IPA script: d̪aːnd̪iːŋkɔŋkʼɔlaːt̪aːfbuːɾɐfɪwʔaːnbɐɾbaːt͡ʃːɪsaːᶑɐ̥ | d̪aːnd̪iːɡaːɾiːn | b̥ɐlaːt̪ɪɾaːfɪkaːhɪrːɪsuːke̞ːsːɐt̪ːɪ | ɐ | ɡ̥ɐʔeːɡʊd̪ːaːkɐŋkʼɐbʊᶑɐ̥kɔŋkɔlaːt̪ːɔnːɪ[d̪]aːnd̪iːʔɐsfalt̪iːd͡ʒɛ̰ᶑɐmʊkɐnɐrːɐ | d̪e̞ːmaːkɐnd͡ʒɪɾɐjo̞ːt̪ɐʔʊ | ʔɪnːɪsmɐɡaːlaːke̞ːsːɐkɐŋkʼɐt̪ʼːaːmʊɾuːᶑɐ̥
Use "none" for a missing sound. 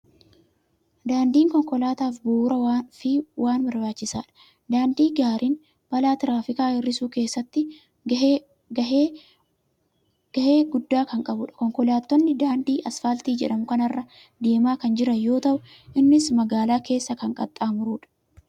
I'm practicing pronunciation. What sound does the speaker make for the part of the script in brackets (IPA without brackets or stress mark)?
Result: d̪